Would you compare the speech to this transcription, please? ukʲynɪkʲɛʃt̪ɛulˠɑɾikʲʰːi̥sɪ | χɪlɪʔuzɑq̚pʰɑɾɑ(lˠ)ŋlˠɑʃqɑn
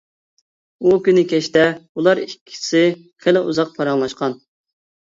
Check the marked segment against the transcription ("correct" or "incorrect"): incorrect